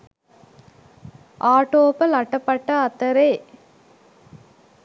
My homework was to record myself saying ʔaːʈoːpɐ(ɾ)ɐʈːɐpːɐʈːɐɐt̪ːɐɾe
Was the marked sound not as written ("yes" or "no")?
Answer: yes